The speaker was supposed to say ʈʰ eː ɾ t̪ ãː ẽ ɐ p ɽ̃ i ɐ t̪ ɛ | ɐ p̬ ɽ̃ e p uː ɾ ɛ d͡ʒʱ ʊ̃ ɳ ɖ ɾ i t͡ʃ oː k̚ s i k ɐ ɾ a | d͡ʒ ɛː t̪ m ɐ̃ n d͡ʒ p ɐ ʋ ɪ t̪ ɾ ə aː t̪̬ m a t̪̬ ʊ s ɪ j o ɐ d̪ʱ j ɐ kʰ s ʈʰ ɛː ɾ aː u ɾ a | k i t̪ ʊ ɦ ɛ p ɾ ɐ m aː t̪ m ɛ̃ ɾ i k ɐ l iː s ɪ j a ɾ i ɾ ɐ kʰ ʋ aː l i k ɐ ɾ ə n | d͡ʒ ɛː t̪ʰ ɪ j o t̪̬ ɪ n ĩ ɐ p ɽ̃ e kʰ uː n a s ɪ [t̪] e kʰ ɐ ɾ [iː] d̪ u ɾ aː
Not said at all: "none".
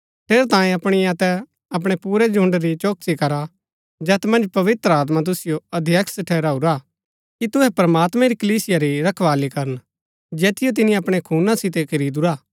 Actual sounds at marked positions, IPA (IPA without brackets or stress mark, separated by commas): t̪, iː